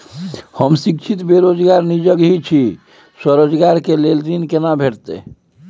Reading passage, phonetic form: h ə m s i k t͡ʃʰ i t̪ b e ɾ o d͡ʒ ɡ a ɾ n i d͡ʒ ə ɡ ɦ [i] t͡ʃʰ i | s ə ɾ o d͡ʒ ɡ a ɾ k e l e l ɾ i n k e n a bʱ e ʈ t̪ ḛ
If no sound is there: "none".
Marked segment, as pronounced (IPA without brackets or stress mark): i